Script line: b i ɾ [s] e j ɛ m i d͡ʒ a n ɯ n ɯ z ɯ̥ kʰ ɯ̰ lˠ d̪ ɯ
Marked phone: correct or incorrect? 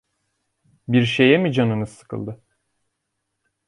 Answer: incorrect